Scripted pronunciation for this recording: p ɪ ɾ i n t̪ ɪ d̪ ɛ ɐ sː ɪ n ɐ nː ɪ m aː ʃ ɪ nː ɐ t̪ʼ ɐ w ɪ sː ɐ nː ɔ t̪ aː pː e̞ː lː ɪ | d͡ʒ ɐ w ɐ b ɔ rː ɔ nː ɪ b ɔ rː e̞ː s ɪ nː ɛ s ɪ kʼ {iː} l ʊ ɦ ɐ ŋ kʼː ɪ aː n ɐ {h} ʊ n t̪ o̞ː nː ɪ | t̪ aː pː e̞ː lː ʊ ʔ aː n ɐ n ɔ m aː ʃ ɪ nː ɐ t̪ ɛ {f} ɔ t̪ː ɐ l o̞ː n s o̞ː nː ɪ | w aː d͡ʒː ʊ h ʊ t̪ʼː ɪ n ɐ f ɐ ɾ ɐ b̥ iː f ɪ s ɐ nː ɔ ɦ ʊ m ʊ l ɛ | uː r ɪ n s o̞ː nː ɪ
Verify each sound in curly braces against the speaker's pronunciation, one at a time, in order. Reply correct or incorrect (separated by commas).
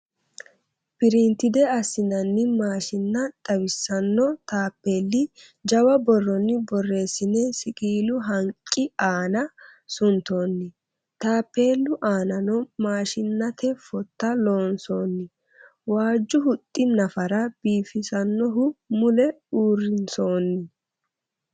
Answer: correct, incorrect, correct